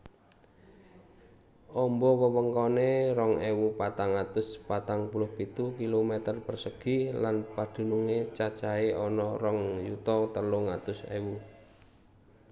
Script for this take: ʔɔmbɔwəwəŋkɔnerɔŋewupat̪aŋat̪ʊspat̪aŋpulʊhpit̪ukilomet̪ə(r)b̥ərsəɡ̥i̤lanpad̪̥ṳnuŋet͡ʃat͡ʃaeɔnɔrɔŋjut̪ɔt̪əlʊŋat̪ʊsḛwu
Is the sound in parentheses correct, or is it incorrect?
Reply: correct